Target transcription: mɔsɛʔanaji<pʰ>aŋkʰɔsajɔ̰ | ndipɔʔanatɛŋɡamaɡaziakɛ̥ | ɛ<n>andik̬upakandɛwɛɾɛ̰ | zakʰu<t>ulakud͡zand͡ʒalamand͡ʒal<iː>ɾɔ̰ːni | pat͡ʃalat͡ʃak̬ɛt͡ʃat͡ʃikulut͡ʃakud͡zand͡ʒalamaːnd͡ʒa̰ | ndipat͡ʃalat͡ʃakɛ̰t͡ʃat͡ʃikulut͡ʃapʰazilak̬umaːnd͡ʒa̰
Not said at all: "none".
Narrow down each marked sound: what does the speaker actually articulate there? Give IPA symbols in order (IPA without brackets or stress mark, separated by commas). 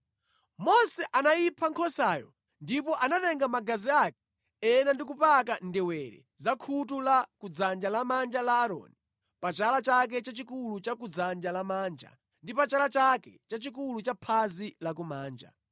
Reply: pʰ, n, t, aː